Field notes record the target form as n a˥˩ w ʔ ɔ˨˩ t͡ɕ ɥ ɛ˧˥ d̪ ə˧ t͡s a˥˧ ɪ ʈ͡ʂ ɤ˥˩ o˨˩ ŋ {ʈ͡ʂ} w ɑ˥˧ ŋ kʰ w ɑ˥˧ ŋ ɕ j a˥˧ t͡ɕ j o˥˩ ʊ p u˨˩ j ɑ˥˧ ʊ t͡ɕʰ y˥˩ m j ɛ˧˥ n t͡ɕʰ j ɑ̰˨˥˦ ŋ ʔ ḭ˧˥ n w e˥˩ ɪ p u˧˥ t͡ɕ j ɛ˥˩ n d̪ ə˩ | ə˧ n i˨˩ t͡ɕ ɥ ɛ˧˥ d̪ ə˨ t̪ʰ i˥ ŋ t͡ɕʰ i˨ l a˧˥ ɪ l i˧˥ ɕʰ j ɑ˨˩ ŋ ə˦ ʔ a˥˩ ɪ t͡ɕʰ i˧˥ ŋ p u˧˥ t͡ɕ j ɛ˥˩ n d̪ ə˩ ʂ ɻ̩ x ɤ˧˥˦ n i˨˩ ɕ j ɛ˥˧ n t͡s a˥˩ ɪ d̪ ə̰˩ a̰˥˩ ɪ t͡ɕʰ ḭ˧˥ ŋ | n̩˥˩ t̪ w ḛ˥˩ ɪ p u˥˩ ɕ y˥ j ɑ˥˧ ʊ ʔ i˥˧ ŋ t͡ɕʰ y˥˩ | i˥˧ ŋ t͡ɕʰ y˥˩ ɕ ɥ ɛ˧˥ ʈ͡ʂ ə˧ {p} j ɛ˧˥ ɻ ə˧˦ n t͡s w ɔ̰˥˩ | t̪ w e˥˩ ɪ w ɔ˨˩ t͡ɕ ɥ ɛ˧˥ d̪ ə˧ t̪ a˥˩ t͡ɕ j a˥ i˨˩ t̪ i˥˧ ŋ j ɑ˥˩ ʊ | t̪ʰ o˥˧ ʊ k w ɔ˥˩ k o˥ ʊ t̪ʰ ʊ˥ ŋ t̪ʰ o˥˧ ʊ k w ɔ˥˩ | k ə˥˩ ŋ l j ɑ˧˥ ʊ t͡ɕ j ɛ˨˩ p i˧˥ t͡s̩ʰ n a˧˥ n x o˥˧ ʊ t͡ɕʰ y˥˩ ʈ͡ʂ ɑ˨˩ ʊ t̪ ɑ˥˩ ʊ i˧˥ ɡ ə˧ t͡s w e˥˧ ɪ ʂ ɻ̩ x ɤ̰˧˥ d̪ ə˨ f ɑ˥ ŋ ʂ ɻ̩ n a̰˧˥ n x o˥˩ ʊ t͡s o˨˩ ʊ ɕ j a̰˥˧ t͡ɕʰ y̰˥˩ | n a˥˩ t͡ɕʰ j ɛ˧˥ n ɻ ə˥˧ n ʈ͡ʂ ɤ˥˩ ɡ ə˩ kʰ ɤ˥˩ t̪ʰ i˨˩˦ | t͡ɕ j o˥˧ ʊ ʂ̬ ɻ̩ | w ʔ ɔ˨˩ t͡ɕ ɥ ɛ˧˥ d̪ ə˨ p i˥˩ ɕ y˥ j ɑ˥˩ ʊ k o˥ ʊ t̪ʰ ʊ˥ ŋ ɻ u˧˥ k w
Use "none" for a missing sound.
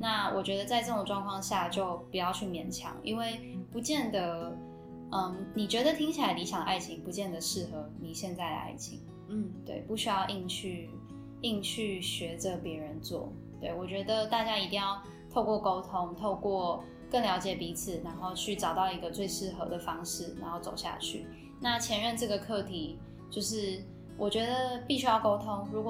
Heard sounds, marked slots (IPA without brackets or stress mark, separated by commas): ʈ͡ʂ, p